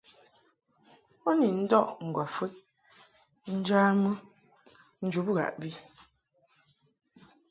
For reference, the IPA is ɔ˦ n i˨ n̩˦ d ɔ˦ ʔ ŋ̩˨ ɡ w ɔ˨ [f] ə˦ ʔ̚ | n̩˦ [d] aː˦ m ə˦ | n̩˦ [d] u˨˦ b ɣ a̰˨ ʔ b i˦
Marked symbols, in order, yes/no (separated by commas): yes, no, no